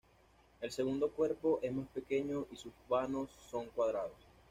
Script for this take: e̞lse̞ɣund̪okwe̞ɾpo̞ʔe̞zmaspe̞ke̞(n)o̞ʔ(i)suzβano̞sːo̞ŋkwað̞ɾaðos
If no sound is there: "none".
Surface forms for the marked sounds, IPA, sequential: ɲ, i

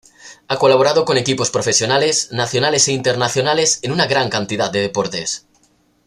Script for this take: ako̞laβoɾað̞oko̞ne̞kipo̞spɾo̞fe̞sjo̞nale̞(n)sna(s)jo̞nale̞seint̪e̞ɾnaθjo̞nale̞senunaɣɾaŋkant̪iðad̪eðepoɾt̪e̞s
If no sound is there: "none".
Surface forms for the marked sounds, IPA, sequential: none, θ

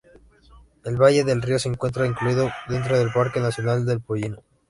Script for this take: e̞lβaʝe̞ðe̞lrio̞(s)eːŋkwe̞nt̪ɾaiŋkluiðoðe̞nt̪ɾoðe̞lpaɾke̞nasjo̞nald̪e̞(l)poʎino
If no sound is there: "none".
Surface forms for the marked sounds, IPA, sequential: s, l

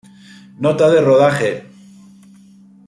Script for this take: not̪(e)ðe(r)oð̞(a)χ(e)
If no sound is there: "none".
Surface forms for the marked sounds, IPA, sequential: a, r, a, e

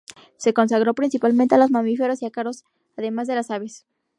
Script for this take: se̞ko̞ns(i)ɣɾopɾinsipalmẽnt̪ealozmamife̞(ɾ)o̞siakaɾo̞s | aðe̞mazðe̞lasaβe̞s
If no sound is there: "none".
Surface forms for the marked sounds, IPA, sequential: a, ɾ

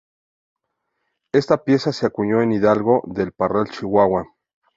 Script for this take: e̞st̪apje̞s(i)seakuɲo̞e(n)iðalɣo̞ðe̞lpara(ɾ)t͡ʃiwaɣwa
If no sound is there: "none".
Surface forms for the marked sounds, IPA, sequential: a, n, l

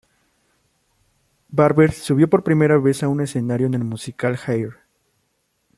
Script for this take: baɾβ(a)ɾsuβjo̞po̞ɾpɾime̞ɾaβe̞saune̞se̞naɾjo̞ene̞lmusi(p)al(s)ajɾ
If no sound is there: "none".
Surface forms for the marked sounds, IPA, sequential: e, k, x

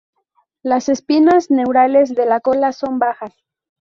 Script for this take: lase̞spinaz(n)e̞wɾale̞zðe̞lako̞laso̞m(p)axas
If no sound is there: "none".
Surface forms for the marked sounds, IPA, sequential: n, b

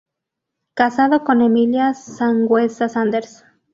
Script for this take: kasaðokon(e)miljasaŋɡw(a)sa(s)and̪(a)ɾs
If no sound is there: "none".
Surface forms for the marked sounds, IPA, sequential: e, e, s, e

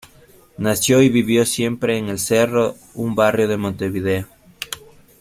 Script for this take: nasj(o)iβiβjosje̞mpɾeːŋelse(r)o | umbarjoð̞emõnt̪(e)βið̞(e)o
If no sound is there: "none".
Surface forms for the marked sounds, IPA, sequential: o, r, e, e

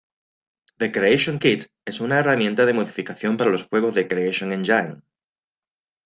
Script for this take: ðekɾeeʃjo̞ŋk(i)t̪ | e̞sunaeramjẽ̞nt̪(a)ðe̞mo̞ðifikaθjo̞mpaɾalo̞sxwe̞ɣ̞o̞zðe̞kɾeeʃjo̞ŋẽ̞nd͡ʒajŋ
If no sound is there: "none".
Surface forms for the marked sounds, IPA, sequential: i, a

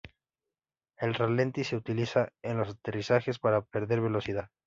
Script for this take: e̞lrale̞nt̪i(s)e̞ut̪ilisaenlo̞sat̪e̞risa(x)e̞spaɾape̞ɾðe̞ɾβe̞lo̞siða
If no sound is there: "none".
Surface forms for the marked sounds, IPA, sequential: s, x

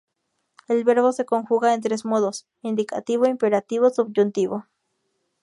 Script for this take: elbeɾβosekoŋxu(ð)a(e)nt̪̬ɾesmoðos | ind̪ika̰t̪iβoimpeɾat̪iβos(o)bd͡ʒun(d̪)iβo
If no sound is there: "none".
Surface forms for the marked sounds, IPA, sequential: ɣ, e, u, t̪

